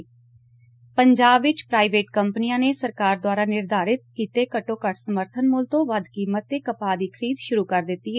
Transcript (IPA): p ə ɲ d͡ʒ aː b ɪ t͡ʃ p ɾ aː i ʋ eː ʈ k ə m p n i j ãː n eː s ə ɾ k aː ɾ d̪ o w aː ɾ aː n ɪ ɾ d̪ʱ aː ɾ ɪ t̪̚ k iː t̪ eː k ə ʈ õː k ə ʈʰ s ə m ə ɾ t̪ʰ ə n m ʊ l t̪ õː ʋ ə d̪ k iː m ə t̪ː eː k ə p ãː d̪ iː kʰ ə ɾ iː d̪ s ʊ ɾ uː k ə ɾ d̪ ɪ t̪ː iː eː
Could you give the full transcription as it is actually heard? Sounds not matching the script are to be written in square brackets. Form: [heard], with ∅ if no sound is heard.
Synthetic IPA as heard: p ə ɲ d͡ʒ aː b ɪ t͡ʃ p ɾ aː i ʋ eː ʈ k ə m p n i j ãː n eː s ə ɾ k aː ɾ d̪ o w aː ɾ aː n ɪ ɾ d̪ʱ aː ɾ ɪ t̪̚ k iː t̪ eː k ə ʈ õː k ə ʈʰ s ə m ə ɾ t̪ʰ ə n m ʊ l t̪ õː ʋ ə d̪ k iː m ə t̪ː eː k ə p [aː] d̪ iː kʰ ə ɾ iː d̪ [ʃ] ʊ ɾ uː k ə ɾ d̪ ɪ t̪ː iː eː